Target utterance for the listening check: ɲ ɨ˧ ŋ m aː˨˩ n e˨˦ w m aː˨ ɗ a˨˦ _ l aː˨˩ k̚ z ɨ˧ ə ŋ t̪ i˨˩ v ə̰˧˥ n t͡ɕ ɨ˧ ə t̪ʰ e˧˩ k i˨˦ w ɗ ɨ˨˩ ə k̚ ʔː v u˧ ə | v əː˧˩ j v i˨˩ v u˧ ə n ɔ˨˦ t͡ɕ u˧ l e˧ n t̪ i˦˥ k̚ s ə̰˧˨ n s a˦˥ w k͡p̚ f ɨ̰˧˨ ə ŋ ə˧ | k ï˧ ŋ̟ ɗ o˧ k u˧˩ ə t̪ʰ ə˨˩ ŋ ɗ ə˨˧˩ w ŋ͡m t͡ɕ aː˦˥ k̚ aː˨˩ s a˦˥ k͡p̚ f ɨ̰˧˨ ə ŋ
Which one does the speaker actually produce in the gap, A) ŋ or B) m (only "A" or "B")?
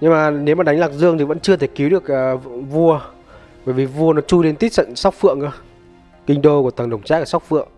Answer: A